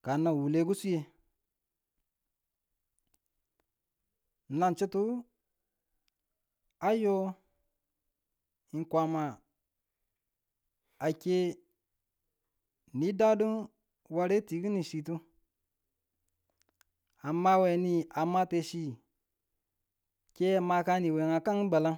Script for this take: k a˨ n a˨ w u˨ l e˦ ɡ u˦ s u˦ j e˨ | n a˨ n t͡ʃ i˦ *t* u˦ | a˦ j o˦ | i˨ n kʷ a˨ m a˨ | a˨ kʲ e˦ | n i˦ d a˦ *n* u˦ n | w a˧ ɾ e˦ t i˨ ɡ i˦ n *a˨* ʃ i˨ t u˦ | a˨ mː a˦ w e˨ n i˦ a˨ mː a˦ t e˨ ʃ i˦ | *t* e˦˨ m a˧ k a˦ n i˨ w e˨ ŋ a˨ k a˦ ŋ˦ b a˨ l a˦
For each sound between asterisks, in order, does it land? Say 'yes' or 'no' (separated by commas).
yes, no, no, no